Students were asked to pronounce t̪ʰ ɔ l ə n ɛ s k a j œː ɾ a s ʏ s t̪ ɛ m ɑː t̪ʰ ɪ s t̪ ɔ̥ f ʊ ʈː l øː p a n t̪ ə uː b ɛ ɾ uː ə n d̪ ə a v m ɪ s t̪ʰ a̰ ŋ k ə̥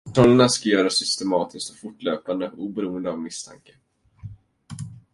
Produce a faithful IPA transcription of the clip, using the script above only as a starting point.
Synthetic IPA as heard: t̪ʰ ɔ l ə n a s k a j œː ɾ a s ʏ s t̪ ɛ m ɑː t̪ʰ ɪ s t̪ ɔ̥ f ʊ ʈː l øː p a n d̪ ə uː b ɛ ɾ uː ə n d̪ ə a v m ɪ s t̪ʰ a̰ ŋ k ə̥